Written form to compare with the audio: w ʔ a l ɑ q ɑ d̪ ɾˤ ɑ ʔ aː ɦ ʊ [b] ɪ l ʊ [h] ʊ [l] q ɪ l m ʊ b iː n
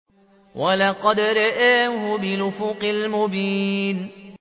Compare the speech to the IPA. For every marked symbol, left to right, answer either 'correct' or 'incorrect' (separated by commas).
correct, incorrect, incorrect